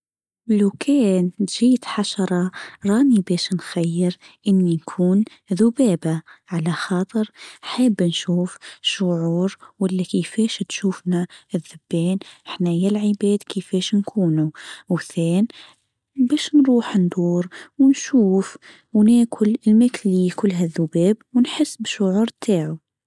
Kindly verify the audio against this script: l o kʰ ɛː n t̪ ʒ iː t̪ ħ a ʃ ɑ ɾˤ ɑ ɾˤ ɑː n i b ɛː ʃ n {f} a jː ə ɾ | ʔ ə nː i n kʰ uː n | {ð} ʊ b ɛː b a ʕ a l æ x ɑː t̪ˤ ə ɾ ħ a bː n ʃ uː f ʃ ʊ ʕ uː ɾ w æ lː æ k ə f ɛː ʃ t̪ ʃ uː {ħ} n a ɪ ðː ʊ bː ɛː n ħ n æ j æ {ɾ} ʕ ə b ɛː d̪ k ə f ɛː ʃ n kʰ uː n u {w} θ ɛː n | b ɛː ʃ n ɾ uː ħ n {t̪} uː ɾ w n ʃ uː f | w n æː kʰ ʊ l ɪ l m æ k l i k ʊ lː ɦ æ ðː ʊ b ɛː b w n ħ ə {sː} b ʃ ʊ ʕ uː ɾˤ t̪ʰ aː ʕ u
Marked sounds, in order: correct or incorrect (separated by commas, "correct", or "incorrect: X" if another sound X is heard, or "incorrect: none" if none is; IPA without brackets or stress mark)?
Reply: incorrect: x, correct, incorrect: f, incorrect: l, correct, incorrect: d̪, correct